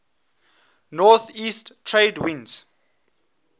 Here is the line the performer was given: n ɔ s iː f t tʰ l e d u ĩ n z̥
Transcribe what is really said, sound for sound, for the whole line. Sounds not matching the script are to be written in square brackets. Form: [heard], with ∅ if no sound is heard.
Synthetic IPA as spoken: n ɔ [θ] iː [s] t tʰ [ɹ] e d [w] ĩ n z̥